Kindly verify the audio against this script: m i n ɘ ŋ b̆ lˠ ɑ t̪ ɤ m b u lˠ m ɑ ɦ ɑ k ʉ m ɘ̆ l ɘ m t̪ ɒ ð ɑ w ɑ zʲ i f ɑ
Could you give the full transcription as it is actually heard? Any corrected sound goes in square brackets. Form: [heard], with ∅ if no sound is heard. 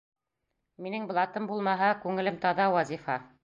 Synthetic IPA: m i n ɘ ŋ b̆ lˠ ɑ t̪ ɤ m b u lˠ m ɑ ɦ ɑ k ʉ [ŋ] ɘ̆ l ɘ m t̪ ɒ ð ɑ w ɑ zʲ i f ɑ